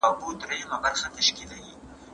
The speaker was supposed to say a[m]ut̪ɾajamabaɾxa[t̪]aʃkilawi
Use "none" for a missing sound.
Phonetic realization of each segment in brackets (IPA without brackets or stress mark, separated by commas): b, t̪